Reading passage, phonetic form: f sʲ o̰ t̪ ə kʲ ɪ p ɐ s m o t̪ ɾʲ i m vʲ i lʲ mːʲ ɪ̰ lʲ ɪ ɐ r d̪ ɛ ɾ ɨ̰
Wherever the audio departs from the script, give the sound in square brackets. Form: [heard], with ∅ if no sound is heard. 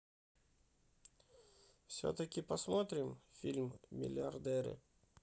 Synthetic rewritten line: f sʲ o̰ t̪ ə kʲ ɪ p ɐ s m o t̪ ɾʲ [ɪ] m [fʲ] i lʲ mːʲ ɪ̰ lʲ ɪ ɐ r d̪ ɛ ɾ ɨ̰